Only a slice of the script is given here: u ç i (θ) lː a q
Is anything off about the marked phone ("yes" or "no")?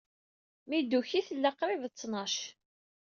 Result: no